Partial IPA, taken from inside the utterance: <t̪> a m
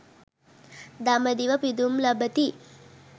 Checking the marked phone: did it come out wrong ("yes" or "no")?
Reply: yes